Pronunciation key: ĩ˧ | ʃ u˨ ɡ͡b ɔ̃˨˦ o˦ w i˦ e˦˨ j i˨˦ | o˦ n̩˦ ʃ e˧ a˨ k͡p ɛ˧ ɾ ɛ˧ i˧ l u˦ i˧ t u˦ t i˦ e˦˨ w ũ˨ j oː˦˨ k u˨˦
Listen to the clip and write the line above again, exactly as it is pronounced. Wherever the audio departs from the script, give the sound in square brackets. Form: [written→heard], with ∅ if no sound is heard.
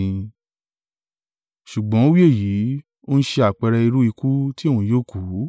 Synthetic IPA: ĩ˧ | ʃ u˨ ɡ͡b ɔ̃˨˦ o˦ w i˦ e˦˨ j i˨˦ | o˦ n̩˦ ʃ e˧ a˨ k͡p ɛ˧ ɾ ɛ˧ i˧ [l→ɾ] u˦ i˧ [t→k] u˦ t i˦ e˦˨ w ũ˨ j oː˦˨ k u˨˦

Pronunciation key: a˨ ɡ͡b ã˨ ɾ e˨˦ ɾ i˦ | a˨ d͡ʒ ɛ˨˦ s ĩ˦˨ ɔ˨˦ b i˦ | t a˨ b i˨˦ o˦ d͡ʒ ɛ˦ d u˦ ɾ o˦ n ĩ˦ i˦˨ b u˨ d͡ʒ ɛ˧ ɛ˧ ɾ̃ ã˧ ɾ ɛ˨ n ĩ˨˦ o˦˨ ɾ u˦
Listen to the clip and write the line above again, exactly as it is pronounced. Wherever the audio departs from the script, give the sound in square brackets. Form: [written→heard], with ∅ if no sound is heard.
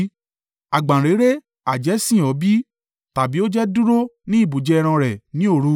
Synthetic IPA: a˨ ɡ͡b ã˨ ɾ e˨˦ ɾ [i˦→e˦] | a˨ d͡ʒ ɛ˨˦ s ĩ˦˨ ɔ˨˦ b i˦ | t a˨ b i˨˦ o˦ d͡ʒ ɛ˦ d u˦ ɾ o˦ n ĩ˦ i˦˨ b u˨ d͡ʒ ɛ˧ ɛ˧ ɾ̃ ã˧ ɾ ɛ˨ n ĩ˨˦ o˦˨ ɾ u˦

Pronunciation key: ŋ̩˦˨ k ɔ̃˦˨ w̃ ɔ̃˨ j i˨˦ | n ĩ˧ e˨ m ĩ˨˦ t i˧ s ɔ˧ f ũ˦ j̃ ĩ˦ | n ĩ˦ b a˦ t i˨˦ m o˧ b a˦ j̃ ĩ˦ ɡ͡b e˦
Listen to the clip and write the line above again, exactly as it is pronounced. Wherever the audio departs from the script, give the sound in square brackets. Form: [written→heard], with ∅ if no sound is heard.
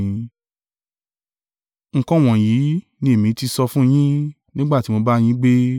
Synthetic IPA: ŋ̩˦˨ k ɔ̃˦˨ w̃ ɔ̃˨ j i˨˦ | n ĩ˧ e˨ m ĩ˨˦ t i˧ s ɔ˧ f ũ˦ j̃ ĩ˦ | n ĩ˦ [b→ɡ͡b] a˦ t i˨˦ m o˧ b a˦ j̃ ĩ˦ ɡ͡b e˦

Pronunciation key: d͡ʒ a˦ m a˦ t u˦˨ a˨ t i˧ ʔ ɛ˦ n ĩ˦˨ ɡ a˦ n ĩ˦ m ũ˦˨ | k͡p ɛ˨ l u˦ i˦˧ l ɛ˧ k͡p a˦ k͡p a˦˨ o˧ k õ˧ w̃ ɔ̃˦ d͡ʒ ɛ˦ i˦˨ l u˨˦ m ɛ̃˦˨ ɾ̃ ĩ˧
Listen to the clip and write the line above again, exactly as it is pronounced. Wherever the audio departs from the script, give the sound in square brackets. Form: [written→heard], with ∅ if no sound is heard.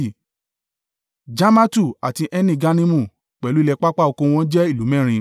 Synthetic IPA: d͡ʒ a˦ m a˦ t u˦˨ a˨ t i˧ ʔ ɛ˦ n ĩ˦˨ ɡ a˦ n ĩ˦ m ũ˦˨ | k͡p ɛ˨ l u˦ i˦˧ l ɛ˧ k͡p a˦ k͡p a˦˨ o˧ k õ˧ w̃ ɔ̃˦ d͡ʒ ɛ˦ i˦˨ l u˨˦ m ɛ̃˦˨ ɾ̃ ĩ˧

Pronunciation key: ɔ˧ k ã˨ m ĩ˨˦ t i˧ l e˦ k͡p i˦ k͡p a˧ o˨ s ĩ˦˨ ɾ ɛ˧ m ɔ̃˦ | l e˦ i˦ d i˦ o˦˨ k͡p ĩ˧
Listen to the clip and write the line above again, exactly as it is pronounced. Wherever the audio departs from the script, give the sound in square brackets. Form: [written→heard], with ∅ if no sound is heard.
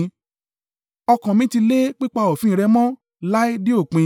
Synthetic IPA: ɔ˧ k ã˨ m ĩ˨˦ t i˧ l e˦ k͡p i˦ k͡p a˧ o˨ [s→f] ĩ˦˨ ɾ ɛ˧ m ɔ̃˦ | l [e˦→a˦] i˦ d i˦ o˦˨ k͡p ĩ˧

